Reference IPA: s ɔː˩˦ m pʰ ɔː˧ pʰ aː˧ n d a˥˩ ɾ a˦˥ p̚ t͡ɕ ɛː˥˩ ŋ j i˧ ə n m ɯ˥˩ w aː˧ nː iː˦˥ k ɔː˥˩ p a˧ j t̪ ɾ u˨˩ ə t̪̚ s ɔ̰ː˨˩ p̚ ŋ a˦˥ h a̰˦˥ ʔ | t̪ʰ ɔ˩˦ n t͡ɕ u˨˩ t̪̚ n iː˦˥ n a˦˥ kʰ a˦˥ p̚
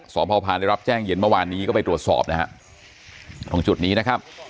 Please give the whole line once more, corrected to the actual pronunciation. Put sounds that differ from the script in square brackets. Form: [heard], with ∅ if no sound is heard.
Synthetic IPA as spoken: s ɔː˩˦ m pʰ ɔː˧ pʰ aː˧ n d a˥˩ ɾ a˦˥ p̚ t͡ɕ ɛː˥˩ ŋ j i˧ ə n m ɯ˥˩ w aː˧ nː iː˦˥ k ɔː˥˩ p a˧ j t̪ ɾ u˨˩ ə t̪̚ s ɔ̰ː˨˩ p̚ [n] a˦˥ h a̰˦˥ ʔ | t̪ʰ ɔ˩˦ [ŋ] t͡ɕ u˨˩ t̪̚ n iː˦˥ n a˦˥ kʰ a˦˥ p̚